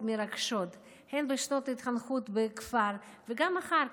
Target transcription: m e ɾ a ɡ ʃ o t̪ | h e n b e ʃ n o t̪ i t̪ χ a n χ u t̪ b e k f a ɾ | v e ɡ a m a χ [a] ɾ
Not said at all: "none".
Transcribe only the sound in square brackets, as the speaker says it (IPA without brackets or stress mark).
a